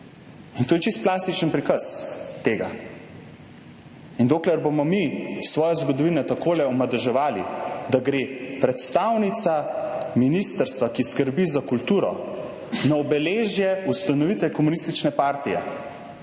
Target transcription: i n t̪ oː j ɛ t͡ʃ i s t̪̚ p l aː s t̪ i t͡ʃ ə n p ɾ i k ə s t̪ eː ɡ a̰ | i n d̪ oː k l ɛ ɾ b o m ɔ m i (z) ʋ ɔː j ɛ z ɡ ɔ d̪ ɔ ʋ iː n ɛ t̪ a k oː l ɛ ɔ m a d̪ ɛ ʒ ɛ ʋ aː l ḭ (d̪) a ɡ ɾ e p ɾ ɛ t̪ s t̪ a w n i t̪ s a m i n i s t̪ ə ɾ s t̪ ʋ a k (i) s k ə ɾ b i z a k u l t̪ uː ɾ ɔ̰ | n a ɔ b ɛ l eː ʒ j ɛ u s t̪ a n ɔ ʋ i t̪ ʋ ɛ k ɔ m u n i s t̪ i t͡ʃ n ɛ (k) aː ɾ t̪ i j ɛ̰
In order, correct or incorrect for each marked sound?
incorrect: s, correct, correct, incorrect: p

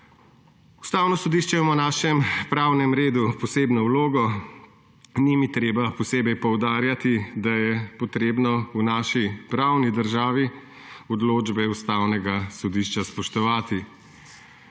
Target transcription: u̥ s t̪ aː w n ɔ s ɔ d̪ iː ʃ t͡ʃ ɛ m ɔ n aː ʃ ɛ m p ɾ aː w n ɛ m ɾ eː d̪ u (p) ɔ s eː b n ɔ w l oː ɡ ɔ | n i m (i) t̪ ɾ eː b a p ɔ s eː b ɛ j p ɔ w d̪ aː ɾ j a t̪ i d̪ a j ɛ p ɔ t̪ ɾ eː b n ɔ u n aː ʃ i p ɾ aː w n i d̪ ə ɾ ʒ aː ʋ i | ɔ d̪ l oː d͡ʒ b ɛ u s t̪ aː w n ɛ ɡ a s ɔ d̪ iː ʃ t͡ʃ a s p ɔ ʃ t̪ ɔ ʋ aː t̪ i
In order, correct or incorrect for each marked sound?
correct, correct

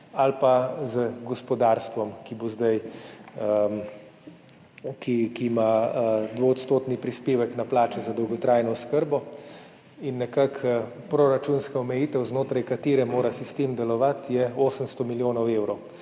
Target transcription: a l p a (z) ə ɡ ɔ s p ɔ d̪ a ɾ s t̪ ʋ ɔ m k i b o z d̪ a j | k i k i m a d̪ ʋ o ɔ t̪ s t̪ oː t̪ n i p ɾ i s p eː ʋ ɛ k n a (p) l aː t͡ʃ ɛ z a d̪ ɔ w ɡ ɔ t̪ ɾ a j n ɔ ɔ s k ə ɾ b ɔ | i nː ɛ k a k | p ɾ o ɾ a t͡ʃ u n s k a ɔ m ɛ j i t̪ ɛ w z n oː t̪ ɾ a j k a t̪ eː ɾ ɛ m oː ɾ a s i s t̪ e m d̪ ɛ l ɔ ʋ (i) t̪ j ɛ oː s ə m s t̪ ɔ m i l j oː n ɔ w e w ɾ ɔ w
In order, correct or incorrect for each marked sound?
correct, correct, incorrect: a

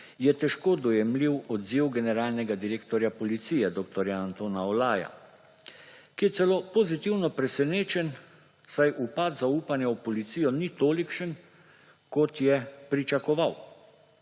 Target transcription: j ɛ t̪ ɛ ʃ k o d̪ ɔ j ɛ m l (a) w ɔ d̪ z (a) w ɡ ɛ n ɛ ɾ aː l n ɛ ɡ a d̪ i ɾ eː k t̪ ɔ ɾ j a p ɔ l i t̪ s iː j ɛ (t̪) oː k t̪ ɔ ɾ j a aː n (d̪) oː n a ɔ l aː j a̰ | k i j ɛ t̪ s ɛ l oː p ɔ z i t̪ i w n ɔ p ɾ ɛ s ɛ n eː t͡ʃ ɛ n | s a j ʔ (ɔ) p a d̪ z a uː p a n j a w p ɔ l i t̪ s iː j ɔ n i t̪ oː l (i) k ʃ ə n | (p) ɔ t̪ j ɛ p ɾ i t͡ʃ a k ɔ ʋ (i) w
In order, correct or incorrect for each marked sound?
incorrect: i, incorrect: i, incorrect: d̪, incorrect: t̪, incorrect: u, correct, incorrect: k, incorrect: a

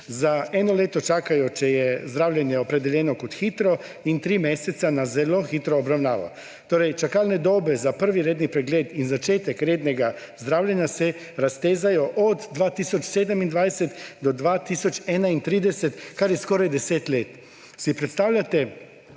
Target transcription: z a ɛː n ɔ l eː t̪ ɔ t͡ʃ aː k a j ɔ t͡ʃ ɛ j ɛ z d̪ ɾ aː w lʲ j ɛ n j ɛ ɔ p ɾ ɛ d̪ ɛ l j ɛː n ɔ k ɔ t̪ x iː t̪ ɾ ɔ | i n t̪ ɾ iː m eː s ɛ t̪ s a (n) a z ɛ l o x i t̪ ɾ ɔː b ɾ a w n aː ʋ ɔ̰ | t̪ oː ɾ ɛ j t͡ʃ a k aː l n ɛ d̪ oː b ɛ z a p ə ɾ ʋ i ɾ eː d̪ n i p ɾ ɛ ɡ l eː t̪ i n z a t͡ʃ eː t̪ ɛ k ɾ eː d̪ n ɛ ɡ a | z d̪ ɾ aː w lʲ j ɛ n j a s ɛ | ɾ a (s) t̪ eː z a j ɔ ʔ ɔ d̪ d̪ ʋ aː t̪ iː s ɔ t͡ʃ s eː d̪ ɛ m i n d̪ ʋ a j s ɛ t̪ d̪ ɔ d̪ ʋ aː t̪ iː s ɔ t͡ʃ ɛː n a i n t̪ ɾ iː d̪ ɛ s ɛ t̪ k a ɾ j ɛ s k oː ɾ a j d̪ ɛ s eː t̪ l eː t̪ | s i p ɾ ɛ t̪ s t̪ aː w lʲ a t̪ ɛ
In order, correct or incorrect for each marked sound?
correct, correct

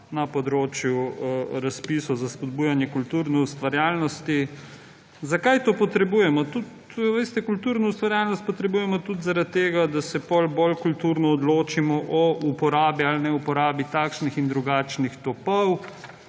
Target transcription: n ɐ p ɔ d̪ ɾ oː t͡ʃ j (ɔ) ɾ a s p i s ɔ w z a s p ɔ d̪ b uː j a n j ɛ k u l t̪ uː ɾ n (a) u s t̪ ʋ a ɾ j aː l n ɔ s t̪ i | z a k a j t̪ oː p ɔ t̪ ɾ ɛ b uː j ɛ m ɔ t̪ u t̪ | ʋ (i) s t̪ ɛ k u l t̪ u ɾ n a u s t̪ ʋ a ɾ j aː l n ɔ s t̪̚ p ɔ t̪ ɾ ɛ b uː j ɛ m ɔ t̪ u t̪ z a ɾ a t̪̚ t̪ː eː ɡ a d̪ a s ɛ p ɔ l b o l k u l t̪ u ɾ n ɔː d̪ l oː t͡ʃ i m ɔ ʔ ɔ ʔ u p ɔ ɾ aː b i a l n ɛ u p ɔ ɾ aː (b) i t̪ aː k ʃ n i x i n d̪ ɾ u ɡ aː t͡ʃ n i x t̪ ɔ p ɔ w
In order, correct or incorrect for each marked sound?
incorrect: u, incorrect: ɛ, incorrect: e, correct

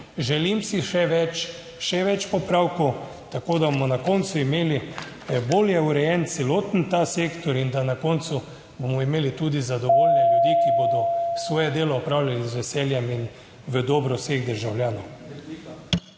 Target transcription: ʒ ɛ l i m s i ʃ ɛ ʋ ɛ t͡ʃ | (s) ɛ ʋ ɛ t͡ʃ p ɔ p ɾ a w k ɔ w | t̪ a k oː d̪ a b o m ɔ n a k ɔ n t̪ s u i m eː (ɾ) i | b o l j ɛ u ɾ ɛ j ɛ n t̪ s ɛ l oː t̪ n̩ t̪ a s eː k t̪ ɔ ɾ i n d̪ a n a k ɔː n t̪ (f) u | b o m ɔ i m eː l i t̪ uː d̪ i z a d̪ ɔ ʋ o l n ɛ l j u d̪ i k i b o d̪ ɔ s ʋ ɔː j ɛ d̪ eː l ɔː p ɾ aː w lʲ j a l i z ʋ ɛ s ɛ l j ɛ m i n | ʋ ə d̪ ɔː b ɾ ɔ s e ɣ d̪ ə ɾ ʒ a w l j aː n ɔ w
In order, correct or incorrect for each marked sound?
incorrect: ʃ, incorrect: l, incorrect: s

